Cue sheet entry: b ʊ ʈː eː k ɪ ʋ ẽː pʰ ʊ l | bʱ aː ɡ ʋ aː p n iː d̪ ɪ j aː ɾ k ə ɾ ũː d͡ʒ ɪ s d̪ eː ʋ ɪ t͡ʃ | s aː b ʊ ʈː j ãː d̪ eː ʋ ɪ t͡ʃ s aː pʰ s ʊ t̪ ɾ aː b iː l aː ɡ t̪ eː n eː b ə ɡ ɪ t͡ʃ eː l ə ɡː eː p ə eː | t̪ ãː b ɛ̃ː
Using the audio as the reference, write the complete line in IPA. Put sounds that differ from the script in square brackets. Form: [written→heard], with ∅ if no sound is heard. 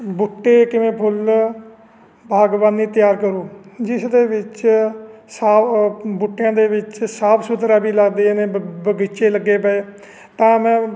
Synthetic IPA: b ʊ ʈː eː k ɪ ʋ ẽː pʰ ʊ l | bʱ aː ɡ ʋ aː [p→∅] n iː [d̪→t̪] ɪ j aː ɾ k ə ɾ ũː d͡ʒ ɪ s d̪ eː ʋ ɪ t͡ʃ | s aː b ʊ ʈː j ãː d̪ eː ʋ ɪ t͡ʃ s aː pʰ s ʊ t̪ ɾ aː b iː l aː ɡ [t̪→d̪] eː n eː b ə ɡ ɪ t͡ʃ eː l ə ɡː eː p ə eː | t̪ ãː [b→m] ɛ̃ː